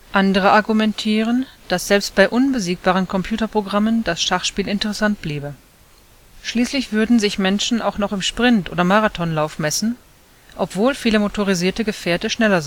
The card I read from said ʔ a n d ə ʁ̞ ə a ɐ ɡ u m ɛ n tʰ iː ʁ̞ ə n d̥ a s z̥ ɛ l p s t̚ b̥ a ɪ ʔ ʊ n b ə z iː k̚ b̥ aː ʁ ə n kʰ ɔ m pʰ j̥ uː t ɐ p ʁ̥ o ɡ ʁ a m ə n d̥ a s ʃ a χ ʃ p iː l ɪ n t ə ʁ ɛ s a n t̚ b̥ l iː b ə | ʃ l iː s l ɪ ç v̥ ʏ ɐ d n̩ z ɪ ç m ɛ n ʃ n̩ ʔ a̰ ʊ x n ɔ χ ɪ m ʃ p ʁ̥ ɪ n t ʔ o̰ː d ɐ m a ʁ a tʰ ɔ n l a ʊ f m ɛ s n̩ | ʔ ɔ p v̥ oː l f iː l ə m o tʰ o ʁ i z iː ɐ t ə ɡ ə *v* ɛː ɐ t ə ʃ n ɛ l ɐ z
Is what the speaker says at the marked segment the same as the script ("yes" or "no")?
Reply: no